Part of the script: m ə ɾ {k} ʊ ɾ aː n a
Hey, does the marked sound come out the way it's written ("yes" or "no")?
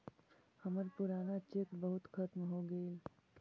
no